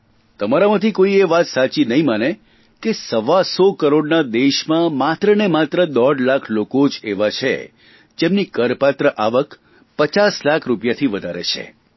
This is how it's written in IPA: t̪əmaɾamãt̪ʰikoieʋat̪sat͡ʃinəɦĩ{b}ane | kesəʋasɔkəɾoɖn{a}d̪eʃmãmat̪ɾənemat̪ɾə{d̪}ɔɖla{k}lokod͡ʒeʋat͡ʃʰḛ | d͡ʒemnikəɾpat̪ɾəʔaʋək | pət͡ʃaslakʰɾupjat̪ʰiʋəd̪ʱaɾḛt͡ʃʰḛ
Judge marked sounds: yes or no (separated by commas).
no, yes, yes, no